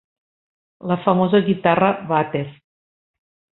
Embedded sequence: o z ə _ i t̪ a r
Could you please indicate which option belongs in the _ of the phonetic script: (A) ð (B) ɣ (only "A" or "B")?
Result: B